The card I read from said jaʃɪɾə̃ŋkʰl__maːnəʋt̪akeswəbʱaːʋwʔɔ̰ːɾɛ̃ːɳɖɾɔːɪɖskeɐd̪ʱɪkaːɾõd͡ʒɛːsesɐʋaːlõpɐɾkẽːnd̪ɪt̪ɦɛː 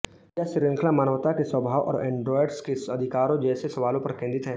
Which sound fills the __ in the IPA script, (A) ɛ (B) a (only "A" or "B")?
B